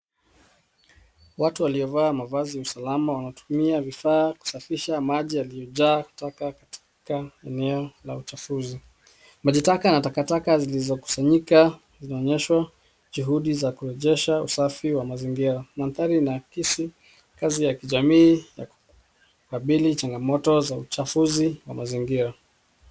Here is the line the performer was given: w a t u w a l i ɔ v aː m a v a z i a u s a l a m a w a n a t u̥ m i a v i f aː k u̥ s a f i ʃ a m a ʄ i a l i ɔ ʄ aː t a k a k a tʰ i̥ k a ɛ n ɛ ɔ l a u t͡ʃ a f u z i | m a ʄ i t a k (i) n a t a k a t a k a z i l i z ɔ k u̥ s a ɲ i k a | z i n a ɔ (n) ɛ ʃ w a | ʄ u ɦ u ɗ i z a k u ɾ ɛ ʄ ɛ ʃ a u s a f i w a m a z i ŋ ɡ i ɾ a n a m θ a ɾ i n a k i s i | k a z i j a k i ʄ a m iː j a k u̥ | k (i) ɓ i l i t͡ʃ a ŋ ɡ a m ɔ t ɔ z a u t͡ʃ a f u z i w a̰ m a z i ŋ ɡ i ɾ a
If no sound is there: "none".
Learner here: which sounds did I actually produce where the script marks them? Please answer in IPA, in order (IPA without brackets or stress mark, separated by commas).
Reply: a, ɲ, a